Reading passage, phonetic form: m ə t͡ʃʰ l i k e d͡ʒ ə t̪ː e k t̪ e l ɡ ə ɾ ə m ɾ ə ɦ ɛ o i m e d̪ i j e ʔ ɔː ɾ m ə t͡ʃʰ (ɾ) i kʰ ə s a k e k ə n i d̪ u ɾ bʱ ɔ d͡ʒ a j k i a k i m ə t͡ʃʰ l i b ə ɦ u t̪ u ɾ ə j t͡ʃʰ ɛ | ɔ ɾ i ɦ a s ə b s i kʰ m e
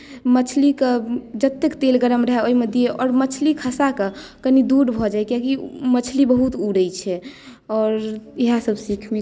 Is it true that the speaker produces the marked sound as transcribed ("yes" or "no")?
no